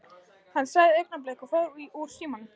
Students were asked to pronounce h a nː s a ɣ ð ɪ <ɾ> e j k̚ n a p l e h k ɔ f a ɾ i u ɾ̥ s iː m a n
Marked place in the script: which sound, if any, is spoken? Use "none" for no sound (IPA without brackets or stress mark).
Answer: none